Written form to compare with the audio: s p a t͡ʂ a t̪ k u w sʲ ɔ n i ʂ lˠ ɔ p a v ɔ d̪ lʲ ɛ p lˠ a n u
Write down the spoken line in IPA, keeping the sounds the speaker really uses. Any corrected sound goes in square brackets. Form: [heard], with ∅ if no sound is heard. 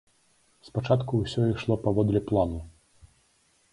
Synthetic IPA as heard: s p a t͡ʂ a t̪ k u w sʲ ɔ [∅] i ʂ lˠ ɔ p a v ɔ d̪ lʲ ɛ p lˠ a n u